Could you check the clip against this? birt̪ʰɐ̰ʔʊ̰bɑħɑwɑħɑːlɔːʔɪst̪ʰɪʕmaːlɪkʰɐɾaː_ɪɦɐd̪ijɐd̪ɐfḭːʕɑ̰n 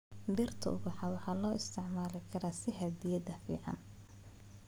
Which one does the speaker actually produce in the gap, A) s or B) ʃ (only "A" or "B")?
A